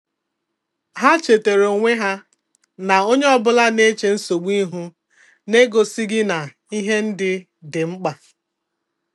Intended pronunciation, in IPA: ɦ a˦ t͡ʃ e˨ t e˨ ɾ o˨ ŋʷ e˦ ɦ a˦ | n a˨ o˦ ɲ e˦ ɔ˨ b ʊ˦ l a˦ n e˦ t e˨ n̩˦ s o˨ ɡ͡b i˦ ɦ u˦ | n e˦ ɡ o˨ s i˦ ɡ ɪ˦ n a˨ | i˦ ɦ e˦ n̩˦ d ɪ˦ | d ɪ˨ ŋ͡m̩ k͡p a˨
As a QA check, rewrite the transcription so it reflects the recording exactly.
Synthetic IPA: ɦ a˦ t͡ʃ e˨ t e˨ ɾ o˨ ŋʷ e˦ ɦ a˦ | n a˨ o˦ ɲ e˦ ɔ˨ b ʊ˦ l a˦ n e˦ t͡ʃ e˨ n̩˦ s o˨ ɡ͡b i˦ ɦ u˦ | n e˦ ɡ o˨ s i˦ ɡ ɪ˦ n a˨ | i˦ ɦ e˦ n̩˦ d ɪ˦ | d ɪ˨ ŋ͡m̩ k͡p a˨